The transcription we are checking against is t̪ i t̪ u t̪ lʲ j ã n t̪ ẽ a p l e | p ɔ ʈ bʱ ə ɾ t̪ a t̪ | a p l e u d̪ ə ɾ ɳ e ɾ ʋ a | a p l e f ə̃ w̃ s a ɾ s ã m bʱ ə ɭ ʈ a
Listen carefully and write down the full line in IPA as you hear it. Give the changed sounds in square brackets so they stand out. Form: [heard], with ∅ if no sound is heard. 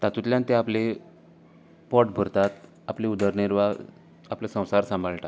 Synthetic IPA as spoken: t̪ [a] t̪ u t̪ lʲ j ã n t̪ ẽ a p l e | p ɔ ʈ bʱ ə ɾ t̪ a t̪ | a p l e u d̪ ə ɾ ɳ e ɾ ʋ a | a p l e [s] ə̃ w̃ s a ɾ s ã m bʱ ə ɭ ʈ a